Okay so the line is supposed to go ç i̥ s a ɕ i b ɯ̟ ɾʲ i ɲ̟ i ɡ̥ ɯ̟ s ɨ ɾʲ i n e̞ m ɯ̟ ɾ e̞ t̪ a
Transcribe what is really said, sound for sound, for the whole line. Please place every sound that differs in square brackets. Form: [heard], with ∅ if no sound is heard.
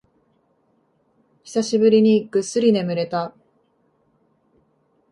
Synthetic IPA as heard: ç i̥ s a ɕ i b ɯ̟ ɾʲ i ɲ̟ i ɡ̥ ɯ̟ s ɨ ɾʲ i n e̞ m ɯ̟ ɾ e̞ t̪ a

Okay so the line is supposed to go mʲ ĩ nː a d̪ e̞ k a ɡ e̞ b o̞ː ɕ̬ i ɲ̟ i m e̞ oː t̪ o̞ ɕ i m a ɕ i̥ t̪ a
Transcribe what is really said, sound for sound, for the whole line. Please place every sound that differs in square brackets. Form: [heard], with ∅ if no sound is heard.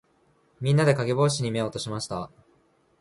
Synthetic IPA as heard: mʲ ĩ nː a d̪ e̞ k a ɡ e̞ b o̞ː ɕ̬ i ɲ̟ i m e̞ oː t̪ o̞ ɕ i m a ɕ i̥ t̪ a

